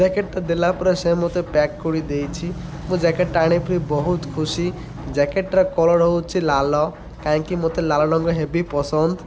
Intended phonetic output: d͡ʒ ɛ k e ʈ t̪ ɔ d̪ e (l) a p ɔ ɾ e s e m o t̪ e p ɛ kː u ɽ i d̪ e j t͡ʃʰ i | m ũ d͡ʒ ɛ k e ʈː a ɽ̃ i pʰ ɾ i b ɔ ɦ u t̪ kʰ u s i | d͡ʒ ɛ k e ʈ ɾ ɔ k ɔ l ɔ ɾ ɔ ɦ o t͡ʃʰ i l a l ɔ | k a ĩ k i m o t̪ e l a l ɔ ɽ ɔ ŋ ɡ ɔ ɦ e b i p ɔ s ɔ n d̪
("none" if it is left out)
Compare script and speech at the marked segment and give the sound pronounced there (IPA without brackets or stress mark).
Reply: l